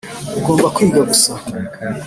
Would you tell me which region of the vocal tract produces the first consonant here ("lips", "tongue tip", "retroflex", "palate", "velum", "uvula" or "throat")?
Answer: velum